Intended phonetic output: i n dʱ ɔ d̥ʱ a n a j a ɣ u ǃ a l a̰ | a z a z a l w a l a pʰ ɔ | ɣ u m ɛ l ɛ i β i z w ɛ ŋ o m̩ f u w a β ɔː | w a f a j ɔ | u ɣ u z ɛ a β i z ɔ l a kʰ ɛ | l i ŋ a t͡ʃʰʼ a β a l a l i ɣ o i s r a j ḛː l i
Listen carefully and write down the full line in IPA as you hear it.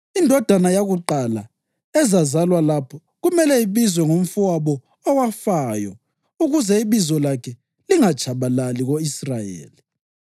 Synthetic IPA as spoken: i n dʱ ɔ d̥ʱ a n a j a ɣ u ǃ a l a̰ | ɛ z a z a l w a l a pʰ ɔ | ɣ u m ɛ l ɛ i β i z w ɛ ŋ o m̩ f u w a β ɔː | w a f a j ɔ | u ɣ u z ɛ i β i z ɔ l a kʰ ɛ | l i ŋ a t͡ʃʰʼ a β a l a l i ɣ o i s r a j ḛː l i